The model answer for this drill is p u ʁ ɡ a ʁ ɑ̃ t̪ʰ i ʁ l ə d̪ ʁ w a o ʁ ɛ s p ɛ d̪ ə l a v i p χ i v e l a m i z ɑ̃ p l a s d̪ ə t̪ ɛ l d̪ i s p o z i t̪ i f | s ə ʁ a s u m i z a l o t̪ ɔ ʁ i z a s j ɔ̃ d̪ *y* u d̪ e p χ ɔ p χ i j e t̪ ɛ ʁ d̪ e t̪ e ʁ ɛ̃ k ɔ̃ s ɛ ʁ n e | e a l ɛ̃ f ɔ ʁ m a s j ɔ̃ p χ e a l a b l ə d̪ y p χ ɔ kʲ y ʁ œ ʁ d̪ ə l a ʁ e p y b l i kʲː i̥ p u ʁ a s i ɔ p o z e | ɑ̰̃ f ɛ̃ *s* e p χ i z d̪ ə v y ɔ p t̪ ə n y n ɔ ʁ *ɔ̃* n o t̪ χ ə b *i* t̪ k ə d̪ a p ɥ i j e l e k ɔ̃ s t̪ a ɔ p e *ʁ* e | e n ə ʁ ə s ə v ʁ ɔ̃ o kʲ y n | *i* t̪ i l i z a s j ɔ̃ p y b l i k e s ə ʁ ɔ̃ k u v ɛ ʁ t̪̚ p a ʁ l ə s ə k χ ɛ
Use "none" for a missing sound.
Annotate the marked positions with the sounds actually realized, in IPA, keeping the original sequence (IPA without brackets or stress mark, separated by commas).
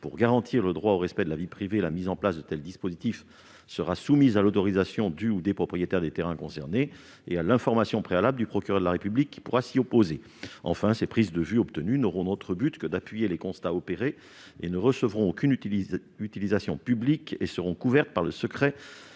y, s, ɔ̃, y, ʁ, y